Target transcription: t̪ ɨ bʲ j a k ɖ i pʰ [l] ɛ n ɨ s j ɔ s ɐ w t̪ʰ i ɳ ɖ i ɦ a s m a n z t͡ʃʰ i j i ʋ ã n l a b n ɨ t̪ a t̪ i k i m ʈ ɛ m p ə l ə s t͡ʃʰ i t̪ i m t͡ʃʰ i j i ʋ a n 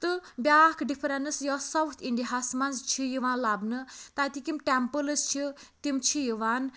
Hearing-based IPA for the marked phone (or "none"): ɾ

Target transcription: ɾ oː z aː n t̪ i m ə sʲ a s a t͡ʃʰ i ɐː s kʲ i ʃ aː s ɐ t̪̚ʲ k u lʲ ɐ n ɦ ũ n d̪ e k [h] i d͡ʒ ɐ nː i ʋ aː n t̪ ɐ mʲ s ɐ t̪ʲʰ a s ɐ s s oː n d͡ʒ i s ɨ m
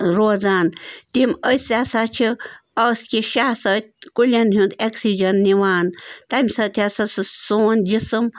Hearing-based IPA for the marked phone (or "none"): s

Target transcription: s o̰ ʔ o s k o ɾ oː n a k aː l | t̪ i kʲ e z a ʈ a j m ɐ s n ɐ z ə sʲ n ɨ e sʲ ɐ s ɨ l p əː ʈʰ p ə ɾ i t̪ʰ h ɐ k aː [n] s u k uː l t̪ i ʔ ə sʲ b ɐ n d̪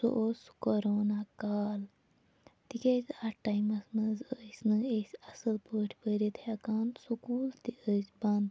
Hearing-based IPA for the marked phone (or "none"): n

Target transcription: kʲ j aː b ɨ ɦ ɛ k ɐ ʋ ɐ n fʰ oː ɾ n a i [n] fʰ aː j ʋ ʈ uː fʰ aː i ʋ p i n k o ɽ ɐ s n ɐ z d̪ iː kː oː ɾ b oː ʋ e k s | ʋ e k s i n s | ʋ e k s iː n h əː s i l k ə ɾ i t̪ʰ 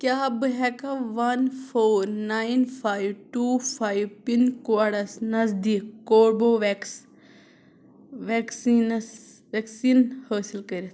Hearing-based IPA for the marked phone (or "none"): n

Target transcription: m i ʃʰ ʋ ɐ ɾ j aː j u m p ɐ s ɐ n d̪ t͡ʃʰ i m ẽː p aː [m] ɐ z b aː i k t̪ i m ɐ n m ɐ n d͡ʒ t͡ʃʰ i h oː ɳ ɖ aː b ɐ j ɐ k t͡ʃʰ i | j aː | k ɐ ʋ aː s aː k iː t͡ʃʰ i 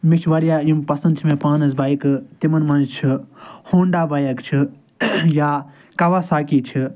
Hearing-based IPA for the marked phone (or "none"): n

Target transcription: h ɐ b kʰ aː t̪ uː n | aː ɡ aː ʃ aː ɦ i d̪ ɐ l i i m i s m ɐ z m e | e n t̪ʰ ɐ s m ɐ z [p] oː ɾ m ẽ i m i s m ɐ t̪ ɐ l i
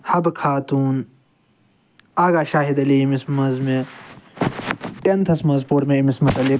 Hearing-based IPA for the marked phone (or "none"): p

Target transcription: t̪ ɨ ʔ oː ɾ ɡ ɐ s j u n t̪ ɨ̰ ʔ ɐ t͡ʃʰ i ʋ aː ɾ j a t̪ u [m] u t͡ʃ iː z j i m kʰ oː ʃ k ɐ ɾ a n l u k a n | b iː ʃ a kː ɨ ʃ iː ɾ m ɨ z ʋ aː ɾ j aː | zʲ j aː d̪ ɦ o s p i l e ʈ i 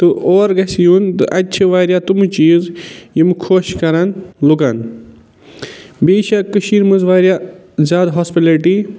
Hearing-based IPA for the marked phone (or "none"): m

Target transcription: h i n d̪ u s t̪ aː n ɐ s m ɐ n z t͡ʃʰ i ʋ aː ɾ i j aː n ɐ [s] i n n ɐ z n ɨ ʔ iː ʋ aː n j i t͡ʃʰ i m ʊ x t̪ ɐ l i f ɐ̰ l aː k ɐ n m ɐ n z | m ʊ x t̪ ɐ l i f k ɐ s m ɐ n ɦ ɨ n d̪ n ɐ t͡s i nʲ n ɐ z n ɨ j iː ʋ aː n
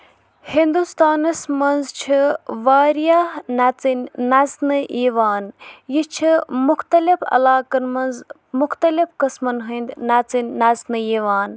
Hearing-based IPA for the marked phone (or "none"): t͡s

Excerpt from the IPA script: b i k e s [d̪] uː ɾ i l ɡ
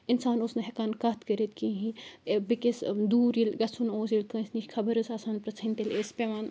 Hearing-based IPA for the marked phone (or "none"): d̪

